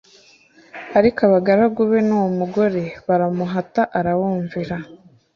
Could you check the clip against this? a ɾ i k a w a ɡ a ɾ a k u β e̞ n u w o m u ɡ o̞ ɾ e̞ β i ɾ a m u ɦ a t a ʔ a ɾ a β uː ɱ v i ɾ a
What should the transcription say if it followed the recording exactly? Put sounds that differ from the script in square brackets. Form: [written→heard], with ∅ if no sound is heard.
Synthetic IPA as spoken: a ɾ i k a [w→β] a ɡ a ɾ a [k→ɡ] u β e̞ n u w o m u ɡ o̞ ɾ e̞ β [i→a] ɾ a m u ɦ a t a ʔ a ɾ a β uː ɱ v i ɾ a